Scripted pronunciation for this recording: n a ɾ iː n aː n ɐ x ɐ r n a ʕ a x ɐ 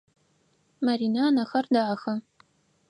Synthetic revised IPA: m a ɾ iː n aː n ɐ x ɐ r d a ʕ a x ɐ